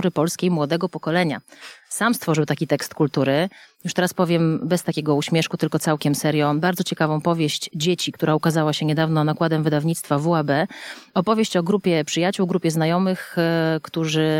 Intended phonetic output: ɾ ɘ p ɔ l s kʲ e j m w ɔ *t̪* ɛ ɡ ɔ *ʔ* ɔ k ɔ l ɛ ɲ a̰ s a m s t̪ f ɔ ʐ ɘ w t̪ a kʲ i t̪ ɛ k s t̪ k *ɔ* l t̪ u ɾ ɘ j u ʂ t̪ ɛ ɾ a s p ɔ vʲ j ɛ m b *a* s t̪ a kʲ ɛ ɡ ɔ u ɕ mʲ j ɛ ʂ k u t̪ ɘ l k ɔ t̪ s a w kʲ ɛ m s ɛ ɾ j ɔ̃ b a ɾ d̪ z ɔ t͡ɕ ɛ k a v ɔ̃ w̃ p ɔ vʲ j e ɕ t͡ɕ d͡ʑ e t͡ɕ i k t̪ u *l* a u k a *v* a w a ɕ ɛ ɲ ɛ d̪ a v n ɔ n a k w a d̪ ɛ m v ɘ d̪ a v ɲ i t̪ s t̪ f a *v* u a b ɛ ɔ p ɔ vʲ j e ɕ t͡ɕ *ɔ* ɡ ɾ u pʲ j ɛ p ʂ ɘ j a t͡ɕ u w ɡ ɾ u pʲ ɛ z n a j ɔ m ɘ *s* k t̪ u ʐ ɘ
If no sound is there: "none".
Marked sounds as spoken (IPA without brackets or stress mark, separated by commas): d̪, p, u, ɛ, ɾ, z, v, ɔ, x